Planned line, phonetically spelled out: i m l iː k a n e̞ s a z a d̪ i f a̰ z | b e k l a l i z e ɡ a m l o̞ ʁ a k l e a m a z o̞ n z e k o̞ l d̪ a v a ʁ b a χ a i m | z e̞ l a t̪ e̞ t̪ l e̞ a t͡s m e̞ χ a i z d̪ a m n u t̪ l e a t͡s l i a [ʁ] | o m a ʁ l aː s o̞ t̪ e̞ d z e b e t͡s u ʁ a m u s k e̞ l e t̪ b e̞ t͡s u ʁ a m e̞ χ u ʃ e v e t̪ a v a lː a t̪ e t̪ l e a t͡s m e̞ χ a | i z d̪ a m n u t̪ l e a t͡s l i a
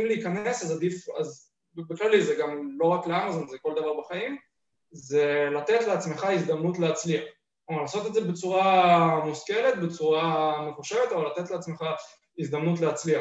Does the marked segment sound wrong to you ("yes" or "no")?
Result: yes